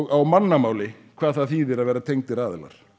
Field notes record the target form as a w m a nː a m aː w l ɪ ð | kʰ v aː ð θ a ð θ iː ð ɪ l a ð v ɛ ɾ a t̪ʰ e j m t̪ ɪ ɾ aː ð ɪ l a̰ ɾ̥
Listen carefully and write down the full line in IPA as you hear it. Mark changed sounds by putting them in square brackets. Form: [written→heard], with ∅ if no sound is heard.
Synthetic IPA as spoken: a w m a nː a m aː w l ɪ [ð→∅] | kʰ v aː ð θ a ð θ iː ð ɪ [l→ɾ] a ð v [ɛ→ɛː] ɾ a t̪ʰ e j [m→ŋ] t̪ ɪ ɾ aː ð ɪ l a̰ ɾ̥